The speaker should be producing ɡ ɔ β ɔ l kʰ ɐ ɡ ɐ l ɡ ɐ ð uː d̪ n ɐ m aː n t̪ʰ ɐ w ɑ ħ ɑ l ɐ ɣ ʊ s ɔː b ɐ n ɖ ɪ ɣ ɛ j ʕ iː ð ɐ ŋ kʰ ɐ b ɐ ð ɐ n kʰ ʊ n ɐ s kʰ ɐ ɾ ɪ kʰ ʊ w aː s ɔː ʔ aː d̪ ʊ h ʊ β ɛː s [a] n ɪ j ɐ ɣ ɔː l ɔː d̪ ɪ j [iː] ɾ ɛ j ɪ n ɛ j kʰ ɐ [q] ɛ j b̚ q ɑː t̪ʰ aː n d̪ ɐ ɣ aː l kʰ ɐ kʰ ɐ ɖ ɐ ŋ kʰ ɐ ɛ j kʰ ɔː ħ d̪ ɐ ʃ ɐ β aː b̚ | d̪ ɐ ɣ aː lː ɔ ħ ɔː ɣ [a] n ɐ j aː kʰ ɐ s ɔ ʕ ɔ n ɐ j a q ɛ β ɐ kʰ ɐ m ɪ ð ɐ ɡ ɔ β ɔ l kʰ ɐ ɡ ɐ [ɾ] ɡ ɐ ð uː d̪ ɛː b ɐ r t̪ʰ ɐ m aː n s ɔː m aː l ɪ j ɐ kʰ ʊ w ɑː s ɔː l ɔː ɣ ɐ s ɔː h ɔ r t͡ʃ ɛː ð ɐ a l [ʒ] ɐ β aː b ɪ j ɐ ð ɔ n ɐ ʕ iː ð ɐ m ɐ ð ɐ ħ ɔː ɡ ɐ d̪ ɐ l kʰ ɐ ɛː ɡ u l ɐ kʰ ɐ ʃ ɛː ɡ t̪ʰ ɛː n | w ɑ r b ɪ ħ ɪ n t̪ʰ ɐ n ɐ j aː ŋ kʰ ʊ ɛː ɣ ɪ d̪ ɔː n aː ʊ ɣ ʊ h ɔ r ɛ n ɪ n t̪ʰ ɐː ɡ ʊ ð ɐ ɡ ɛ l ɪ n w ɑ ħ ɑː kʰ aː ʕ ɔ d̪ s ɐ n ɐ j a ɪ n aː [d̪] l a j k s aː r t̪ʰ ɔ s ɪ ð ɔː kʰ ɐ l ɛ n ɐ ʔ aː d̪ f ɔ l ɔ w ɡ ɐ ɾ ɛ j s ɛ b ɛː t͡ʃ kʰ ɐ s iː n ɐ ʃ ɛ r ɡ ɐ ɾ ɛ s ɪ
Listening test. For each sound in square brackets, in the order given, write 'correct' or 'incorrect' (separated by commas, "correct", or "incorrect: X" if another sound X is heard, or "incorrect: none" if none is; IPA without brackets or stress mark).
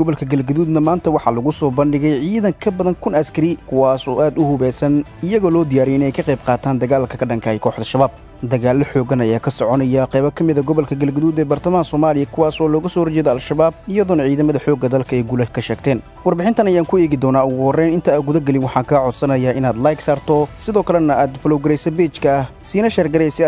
incorrect: ɐ, incorrect: aː, correct, incorrect: ɐ, incorrect: l, incorrect: ʃ, correct